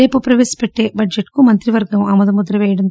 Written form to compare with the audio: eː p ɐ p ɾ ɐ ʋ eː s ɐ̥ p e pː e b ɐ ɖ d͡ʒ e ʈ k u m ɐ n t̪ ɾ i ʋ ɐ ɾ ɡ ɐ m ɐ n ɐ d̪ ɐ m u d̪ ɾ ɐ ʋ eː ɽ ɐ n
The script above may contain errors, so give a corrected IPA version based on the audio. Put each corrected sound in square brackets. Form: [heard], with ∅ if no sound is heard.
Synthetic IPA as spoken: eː p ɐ p ɾ ɐ ʋ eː s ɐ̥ p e [ʈː] e b ɐ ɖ d͡ʒ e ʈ k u m ɐ n t̪ ɾ i ʋ ɐ ɾ ɡ ɐ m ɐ [m] ɐ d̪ ɐ m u d̪ ɾ ɐ ʋ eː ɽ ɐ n